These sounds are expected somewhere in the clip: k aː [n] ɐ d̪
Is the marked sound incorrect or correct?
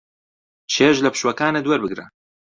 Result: correct